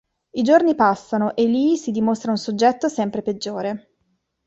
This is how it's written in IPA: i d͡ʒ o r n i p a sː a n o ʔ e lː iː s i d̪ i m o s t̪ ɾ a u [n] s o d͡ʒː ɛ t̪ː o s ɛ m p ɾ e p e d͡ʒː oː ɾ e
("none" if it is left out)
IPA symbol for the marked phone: n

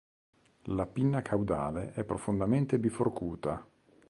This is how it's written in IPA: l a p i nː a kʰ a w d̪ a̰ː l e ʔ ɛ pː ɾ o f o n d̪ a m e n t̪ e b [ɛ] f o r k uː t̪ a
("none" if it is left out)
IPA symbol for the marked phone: i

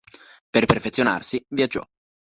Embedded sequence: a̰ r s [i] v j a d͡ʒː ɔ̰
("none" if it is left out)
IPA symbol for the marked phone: i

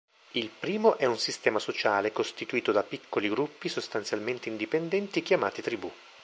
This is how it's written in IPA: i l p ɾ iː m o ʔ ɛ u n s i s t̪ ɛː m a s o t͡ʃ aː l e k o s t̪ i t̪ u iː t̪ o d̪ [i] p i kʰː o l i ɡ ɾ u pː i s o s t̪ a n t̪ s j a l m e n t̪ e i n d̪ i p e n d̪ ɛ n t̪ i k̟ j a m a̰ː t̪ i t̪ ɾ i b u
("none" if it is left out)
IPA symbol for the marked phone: a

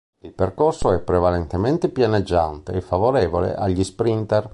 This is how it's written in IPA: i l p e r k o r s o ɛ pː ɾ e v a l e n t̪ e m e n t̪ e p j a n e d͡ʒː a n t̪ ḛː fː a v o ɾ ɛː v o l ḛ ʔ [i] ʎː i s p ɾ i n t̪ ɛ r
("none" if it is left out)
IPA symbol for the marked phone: a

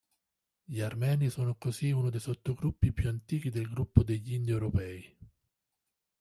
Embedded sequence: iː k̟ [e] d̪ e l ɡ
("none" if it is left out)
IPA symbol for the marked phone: i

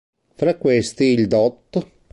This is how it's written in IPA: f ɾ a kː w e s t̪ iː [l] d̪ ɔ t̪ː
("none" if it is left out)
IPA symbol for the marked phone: l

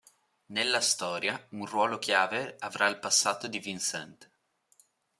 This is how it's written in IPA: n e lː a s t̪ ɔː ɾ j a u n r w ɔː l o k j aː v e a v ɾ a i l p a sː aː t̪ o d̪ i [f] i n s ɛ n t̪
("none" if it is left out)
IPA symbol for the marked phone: v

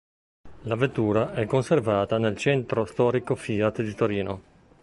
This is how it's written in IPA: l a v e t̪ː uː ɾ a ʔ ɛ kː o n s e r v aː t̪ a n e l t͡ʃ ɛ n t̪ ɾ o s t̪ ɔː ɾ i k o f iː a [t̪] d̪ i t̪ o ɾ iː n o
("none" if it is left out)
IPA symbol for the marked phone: t̪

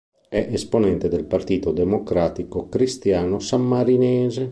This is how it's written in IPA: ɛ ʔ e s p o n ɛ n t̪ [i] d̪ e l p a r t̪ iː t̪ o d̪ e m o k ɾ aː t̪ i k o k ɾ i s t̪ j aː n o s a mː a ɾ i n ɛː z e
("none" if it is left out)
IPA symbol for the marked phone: e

